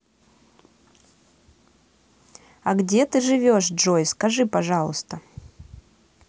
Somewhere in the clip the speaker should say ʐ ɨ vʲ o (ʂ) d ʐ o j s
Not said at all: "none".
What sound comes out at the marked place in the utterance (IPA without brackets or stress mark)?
ʂ